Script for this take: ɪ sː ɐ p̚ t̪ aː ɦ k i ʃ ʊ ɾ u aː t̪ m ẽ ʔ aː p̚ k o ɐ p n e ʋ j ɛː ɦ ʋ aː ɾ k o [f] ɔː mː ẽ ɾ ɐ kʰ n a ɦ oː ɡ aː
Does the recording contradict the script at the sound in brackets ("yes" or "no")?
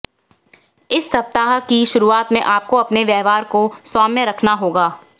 yes